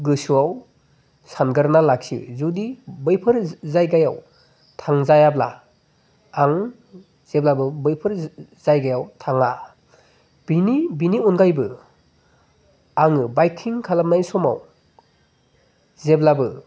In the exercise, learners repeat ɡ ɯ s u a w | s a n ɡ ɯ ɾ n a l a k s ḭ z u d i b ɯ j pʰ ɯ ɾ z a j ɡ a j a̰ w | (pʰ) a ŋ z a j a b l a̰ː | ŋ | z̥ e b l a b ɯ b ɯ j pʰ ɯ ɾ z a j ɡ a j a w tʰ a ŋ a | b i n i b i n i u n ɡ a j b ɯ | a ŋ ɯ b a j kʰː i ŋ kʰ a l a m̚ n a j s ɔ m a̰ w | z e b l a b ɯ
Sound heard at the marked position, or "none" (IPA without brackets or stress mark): tʰ